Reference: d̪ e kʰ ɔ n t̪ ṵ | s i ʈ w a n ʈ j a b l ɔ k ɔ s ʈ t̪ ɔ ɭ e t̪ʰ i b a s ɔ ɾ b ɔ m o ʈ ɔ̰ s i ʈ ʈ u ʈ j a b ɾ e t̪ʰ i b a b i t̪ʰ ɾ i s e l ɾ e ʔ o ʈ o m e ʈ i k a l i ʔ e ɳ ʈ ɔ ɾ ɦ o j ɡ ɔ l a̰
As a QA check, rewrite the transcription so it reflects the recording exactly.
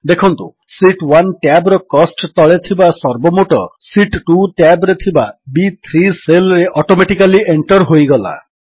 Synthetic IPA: d̪ e kʰ ɔ n t̪ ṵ | s i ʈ w a n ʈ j a b ɾ ɔ k ɔ s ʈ t̪ ɔ ɭ e t̪ʰ i b a s ɔ ɾ b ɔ m o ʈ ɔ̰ s i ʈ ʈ u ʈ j a b ɾ e t̪ʰ i b a b i t̪ʰ ɾ i s e l ɾ e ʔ ɔ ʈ o m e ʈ i k a l i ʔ e ɳ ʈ ɔ ɾ ɦ o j ɡ ɔ l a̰